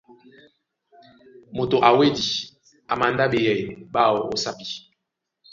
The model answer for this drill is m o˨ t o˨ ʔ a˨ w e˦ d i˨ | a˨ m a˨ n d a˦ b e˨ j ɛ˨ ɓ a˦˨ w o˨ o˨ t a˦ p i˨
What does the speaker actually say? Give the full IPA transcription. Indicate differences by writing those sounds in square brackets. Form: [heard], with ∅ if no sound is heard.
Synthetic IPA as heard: m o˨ t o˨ ʔ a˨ w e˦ d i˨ | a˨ m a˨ n d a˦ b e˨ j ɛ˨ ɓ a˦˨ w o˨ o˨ [s] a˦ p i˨

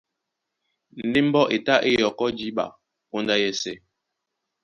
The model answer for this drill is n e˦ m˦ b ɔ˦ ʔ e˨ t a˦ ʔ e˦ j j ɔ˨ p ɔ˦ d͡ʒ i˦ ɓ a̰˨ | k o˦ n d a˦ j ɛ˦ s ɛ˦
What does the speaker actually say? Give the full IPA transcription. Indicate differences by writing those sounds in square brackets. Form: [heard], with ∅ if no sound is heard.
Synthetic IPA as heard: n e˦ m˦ b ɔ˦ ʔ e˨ t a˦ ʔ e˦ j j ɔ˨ [k] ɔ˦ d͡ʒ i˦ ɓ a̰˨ | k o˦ n d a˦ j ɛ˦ s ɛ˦

